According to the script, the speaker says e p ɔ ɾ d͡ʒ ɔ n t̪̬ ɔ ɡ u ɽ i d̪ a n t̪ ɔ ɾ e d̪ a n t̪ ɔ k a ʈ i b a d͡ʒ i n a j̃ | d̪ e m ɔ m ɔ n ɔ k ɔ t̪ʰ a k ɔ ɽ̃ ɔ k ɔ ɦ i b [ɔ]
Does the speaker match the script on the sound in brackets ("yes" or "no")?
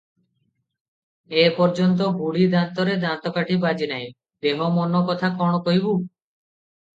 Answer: no